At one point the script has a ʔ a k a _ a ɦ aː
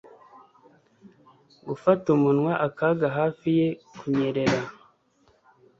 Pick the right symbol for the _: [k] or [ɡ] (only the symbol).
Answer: ɡ